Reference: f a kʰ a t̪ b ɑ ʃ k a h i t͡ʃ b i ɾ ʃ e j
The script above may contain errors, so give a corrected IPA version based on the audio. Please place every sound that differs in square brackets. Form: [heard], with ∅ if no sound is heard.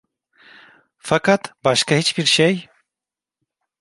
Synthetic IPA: f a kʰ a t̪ b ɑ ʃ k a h i t͡ʃ b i ɾ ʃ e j